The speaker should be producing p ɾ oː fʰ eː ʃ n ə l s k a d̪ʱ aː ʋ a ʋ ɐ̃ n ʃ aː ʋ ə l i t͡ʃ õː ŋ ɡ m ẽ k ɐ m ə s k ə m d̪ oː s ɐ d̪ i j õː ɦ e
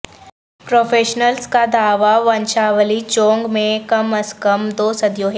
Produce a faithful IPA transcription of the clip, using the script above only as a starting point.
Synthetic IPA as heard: p ɾ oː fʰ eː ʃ n ə l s k a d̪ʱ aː ʋ a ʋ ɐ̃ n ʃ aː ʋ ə l i t͡ʃ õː ŋ ɡ m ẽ k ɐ m ə s k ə m d̪ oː s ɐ d̪ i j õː ɦ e